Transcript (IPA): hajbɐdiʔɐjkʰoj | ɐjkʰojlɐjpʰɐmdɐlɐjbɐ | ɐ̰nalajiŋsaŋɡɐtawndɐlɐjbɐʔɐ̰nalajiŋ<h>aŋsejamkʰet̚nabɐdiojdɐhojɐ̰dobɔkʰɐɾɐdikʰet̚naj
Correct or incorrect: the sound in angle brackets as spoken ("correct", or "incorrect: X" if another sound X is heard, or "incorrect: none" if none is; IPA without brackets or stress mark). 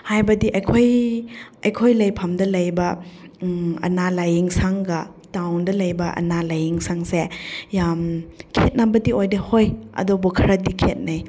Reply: incorrect: s